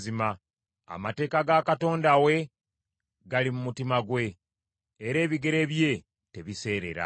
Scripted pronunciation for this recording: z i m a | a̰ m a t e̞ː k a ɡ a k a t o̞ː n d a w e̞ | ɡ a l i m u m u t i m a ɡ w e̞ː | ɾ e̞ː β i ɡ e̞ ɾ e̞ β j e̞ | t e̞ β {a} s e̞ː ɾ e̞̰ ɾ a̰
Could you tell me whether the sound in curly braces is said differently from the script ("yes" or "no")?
yes